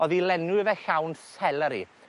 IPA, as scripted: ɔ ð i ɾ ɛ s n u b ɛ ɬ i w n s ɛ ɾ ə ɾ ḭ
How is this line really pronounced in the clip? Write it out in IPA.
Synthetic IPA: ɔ ð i l ɛ n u v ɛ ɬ a w n s ɛ l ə ɾ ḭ